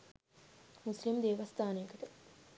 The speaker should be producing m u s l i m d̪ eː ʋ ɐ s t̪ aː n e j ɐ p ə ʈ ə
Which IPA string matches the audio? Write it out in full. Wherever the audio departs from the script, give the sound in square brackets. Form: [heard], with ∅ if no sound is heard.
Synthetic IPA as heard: m u s l i m d̪ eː ʋ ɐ s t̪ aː n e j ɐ [k] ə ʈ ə